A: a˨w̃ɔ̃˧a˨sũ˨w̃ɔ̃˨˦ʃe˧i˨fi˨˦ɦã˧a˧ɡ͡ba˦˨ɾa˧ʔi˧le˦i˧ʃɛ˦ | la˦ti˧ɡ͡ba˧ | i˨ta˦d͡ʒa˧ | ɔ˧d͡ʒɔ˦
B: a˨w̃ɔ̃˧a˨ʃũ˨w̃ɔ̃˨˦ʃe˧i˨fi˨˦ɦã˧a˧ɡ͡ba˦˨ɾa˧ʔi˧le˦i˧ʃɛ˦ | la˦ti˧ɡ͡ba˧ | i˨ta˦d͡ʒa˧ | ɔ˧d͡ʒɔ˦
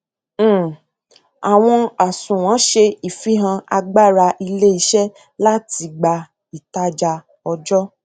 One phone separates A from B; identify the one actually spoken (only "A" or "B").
A